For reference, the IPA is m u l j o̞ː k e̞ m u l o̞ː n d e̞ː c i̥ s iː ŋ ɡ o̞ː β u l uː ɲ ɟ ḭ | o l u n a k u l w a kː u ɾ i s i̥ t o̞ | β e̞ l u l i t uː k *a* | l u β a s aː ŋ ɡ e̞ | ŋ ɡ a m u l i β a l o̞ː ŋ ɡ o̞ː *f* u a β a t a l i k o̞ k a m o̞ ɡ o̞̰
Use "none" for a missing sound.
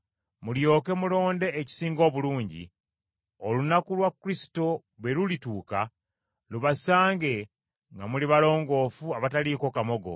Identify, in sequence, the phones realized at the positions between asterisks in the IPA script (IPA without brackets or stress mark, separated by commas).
a, f